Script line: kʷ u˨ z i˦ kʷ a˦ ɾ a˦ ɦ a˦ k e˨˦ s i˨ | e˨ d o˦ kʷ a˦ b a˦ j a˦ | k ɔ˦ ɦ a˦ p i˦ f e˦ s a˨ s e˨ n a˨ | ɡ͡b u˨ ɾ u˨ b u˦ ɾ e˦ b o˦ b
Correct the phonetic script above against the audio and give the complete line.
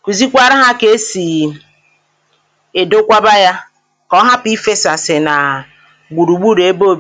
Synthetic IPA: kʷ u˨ z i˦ kʷ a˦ ɾ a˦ ɦ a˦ k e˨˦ s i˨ | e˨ d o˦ kʷ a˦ b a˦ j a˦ | k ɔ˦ ɦ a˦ p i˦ f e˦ s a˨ s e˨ n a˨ | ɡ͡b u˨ ɾ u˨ ɡ͡b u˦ ɾ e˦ b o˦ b

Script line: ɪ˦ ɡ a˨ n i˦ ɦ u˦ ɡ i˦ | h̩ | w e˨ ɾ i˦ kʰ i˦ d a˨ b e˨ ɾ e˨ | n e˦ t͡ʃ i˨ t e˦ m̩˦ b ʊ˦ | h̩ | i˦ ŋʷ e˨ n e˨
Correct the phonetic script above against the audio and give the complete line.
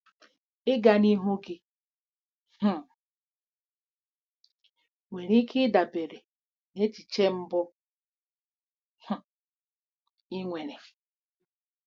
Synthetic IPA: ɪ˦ ɡ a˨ n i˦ ɦ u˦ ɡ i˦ | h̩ | w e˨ ɾ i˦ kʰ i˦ d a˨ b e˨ ɾ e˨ | n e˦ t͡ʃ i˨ t͡ʃ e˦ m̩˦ b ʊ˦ | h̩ | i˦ ŋʷ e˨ n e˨

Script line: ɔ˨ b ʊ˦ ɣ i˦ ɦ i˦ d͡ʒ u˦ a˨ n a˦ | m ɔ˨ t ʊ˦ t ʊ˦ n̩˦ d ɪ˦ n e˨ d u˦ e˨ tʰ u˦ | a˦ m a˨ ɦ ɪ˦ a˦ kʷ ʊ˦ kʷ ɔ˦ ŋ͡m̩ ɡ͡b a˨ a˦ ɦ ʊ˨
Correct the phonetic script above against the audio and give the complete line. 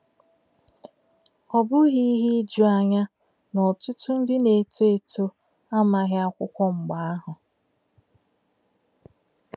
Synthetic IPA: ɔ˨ b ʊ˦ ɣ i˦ ɦ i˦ d͡ʒ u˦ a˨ ɲ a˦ | n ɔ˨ t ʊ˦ t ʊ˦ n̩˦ d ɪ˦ n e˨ t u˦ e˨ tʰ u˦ | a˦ m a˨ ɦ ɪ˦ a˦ kʷ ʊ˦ kʷ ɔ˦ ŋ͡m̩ ɡ͡b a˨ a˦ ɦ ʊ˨

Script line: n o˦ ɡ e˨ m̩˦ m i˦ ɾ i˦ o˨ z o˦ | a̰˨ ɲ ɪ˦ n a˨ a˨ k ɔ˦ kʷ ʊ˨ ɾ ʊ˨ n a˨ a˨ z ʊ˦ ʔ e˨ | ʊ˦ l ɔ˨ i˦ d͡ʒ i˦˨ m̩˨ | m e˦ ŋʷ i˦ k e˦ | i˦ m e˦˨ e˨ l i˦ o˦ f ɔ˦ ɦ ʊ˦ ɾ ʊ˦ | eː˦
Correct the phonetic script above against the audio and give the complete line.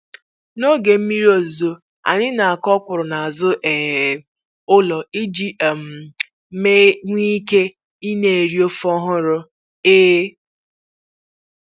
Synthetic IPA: n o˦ ɡ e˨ m̩˦ m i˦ ɾ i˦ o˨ z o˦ | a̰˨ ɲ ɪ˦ n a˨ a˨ k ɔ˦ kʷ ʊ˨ ɾ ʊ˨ n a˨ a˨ z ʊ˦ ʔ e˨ | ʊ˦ l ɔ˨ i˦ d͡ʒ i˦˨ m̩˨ | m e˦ ŋʷ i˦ k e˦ | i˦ n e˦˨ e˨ ɾ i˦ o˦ f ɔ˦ ɦ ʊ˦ ɾ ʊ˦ | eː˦

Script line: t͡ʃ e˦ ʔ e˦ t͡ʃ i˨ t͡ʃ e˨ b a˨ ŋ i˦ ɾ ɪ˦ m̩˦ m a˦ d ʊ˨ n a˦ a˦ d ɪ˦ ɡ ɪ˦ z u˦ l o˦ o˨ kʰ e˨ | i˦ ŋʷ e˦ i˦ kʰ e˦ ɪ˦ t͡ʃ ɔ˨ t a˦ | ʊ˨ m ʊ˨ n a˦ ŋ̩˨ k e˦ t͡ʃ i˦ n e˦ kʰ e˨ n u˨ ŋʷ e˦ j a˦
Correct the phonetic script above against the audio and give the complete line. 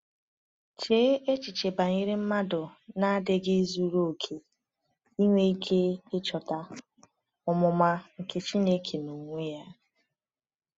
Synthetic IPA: t͡ʃ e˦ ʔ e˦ t͡ʃ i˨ t͡ʃ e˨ b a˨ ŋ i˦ ɾ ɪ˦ m̩˦ m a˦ d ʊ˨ n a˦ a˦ d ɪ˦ ɡ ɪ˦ z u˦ ɾ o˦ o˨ kʰ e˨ | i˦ ŋʷ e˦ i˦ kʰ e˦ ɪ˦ t͡ʃ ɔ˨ t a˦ | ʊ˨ m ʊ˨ m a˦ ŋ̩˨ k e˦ t͡ʃ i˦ n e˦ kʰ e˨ n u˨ ŋʷ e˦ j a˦

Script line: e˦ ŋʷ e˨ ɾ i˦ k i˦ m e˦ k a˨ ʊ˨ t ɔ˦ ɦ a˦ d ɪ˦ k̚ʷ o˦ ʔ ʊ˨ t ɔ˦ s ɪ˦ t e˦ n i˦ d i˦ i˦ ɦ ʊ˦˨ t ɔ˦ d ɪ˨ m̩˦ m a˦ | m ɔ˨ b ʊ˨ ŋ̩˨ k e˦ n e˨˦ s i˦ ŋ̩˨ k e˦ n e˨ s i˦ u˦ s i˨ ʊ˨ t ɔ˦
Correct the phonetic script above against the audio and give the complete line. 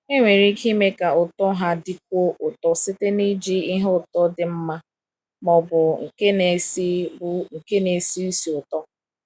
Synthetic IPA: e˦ ŋʷ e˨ ɾ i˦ k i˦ m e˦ k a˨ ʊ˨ t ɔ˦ ɦ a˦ d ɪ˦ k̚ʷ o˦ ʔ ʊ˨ t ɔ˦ s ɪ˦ t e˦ n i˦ d͡ʒ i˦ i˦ ɦ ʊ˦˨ t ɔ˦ d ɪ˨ m̩˦ m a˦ | m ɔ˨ b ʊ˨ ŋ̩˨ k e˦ n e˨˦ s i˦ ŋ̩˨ k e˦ n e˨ s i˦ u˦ s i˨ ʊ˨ t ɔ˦

